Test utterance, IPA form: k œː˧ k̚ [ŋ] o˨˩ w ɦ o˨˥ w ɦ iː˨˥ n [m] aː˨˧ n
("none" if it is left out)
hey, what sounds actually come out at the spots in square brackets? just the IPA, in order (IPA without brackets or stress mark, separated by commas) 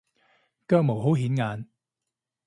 m, ŋ